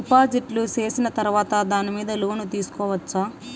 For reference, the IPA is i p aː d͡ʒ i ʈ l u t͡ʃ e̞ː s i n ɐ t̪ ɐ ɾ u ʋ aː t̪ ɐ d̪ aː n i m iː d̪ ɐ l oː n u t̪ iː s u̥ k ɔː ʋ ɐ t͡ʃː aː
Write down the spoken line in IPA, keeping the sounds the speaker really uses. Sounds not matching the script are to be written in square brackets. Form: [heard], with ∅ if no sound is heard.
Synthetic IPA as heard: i p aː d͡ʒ i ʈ l u t͡ʃ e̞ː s i n ɐ t̪ ɐ ɾ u ʋ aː t̪ ɐ d̪ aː n i m iː d̪ ɐ l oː n u t̪ iː s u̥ k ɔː ʋ ɐ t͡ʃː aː